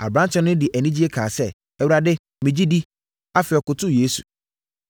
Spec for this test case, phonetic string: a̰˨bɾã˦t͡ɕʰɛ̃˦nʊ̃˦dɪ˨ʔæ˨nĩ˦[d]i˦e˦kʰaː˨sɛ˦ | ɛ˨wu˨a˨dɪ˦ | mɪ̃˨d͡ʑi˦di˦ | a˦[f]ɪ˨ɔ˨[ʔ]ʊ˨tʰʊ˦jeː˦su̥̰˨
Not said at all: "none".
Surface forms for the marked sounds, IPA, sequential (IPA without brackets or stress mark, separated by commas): d͡ʑ, f, k